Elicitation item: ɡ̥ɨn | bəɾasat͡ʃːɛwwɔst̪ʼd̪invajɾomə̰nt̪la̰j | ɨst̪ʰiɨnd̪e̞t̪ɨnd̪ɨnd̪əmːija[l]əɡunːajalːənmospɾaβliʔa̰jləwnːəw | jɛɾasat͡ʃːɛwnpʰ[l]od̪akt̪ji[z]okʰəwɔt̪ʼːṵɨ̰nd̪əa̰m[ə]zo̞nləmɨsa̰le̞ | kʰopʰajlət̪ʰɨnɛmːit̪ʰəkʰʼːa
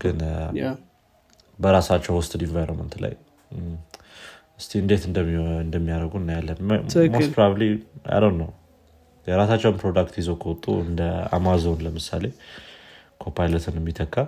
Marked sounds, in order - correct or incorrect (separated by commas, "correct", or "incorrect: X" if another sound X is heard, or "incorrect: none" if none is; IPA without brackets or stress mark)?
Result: incorrect: ɾ, incorrect: ɾ, correct, incorrect: a